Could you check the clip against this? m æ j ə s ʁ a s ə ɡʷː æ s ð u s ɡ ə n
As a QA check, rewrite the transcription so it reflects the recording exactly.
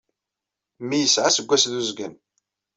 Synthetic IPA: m i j ə s ʕ a s ə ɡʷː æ s ð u z ɡ ə n

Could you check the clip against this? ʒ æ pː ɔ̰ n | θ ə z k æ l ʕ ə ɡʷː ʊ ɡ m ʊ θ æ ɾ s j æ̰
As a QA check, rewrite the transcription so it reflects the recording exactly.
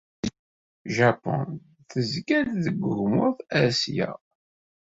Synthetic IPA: ʒ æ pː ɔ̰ n | θ ə z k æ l ð ə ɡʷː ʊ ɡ m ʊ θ æ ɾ s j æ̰

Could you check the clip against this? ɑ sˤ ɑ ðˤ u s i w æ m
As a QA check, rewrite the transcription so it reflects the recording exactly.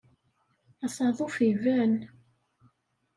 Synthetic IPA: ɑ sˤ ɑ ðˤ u f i v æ n

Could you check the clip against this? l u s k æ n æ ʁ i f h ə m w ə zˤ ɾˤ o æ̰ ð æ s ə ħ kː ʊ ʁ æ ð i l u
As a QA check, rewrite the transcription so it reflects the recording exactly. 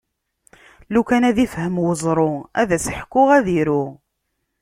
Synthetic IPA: l u k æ n æ ð i f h ə m w ə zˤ ɾˤ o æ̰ ð æ s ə ħ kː ʊ ʁ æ ð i ɾ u

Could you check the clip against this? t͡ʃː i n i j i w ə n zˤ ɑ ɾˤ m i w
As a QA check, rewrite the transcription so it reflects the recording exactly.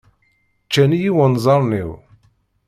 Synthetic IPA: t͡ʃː æ n i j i w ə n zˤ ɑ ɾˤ n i w

